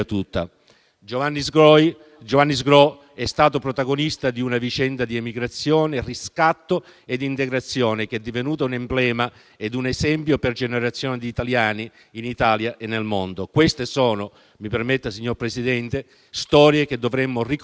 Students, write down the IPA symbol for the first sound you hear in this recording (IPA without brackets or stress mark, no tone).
t̪